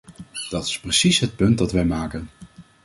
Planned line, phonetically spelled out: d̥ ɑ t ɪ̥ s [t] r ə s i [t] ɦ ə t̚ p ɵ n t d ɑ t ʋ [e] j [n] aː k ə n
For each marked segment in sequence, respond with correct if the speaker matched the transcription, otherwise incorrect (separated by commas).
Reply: incorrect, incorrect, incorrect, incorrect